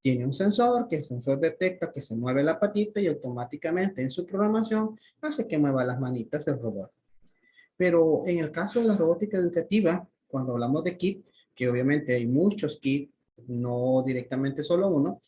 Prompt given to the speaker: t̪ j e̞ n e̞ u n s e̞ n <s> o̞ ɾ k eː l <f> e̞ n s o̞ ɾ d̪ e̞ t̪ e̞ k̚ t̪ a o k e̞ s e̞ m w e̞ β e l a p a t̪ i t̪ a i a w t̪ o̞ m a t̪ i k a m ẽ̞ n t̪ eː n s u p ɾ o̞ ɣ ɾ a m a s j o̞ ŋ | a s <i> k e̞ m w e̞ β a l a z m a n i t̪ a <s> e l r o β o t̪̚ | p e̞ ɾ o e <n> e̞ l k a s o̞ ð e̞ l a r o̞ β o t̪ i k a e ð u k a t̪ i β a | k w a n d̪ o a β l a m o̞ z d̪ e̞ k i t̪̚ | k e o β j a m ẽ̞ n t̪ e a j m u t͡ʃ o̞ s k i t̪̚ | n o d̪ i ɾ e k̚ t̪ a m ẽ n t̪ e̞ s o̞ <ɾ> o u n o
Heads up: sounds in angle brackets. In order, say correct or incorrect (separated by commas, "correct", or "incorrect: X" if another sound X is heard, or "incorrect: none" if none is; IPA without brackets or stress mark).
correct, incorrect: s, incorrect: e, correct, incorrect: ŋ, incorrect: l